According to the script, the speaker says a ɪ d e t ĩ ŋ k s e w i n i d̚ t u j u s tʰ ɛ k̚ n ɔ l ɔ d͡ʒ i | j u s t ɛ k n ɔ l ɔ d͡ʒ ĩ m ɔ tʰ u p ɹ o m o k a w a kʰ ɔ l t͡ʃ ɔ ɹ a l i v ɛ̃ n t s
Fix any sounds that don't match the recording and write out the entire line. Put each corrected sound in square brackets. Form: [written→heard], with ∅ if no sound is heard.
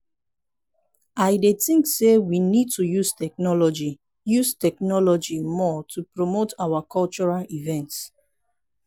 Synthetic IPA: a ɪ d e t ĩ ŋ k s e w i n i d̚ t u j u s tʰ ɛ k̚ n ɔ l ɔ d͡ʒ i | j u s t ɛ k n ɔ l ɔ d͡ʒ [ĩ→i] m ɔ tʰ u p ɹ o m o [k→t] a w a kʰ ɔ l t͡ʃ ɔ ɹ a l i v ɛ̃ n t s